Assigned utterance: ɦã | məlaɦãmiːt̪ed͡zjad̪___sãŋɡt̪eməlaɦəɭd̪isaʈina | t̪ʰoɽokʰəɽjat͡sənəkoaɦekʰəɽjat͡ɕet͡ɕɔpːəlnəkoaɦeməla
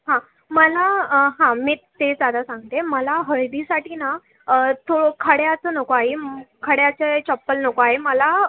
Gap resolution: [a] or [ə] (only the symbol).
a